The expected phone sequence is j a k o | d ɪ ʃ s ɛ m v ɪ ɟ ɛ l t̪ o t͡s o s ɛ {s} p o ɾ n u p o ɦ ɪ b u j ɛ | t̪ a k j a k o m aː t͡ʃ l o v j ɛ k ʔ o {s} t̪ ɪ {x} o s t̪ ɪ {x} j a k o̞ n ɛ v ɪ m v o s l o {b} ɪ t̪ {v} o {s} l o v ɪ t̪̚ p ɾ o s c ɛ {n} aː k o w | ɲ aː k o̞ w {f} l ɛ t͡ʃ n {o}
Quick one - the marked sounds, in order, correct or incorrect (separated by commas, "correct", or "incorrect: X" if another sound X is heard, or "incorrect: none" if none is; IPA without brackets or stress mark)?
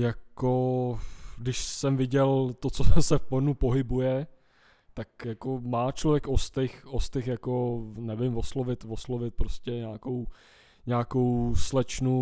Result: incorrect: f, correct, correct, correct, incorrect: v, correct, correct, incorrect: ɲ, incorrect: s, incorrect: u